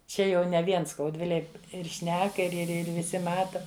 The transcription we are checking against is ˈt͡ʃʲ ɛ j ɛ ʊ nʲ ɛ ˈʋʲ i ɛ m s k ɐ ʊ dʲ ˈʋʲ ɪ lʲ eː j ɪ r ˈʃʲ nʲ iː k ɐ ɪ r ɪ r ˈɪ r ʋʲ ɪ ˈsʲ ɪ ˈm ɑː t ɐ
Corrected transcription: ˈt͡ʃʲ ɛ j ɛ ʊ nʲ ɛ ˈʋʲ i ɛ n s k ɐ ʊ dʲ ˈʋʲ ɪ lʲ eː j ɪ r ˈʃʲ nʲ æː k ɐ ɪ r ɪ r ˈɪ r ʋʲ ɪ ˈsʲ ɪ ˈm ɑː t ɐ